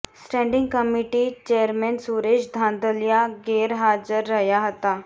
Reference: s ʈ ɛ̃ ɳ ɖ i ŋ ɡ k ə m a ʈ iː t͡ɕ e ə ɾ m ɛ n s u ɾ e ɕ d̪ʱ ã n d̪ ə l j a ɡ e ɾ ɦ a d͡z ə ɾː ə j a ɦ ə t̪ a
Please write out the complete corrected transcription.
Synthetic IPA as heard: s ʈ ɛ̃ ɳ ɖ i ŋ ɡ k ə m i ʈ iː t͡ɕ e ə ɾ m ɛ n s u ɾ e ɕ d̪ʱ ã n d̪ ə l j a ɡ e ɾ ɦ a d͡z ə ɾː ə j a ɦ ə t̪ a